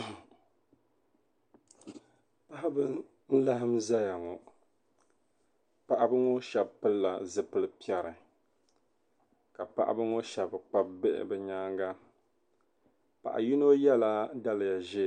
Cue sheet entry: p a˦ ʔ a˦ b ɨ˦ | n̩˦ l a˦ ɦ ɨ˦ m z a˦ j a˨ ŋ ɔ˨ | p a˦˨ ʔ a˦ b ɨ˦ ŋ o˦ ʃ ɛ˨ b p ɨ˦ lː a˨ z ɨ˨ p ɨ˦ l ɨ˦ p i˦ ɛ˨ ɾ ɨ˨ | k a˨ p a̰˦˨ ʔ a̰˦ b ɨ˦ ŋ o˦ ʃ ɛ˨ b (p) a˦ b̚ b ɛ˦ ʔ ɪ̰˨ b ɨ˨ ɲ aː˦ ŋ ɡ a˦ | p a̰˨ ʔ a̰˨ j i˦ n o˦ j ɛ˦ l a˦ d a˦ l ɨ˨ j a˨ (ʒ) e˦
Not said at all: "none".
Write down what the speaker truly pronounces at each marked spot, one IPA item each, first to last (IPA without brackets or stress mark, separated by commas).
k͡p, ʒ